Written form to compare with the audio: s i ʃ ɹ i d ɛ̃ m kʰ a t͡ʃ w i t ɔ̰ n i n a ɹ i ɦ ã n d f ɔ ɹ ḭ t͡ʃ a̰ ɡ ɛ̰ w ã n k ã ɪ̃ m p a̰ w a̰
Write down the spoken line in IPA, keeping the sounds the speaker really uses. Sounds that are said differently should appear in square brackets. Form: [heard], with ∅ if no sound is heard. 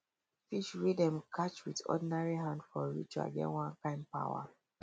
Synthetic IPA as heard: [f] i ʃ ɹ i d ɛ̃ m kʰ a t͡ʃ w i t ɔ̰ [d] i n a ɹ i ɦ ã n d f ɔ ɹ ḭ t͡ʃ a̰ ɡ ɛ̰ w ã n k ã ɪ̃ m p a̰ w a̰